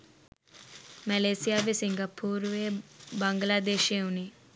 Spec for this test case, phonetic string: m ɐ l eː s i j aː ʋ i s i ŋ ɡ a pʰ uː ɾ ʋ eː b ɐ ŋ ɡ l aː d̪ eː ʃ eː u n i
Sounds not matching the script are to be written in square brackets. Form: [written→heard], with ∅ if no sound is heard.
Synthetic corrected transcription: m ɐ l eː s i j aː ʋ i s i ŋ ɡ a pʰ uː ɾ ʋ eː b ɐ ŋ ɡ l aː d̪ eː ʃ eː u n i